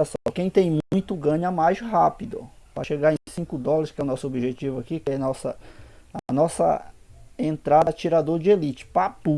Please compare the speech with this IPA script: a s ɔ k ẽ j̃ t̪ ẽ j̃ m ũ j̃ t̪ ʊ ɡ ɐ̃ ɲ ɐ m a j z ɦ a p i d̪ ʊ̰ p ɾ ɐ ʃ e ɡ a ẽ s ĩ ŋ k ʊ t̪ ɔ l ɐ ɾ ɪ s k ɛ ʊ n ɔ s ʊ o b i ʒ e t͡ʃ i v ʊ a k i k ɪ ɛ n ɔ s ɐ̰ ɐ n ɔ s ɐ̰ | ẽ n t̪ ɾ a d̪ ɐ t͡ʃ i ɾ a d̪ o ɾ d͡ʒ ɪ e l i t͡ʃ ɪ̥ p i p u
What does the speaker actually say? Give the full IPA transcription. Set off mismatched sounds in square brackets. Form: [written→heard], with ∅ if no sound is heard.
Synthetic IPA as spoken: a s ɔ k ẽ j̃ t̪ ẽ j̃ m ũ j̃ t̪ ʊ ɡ ɐ̃ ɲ ɐ m a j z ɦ a p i d̪ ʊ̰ p ɾ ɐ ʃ e ɡ a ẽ s ĩ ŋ k ʊ [t̪→d̪] ɔ l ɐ ɾ ɪ s k ɛ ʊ n ɔ s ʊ o b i ʒ e t͡ʃ i v ʊ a k i k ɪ ɛ n ɔ s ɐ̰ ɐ n ɔ s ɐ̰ | ẽ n t̪ ɾ a d̪ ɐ t͡ʃ i ɾ a d̪ o ɾ d͡ʒ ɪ e l i t͡ʃ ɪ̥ p [i→a] p u